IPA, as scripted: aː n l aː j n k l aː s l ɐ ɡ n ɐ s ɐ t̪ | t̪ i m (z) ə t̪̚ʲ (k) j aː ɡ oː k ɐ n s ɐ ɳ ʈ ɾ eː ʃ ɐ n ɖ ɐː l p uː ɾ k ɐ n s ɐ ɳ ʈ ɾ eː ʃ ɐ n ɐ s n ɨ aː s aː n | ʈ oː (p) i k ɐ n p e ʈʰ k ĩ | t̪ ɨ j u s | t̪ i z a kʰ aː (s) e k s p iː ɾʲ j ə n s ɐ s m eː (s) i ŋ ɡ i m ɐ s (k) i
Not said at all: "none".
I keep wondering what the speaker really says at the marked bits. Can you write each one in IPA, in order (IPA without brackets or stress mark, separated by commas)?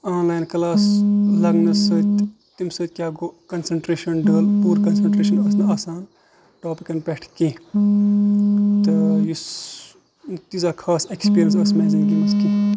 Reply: s, k, p, s, z, k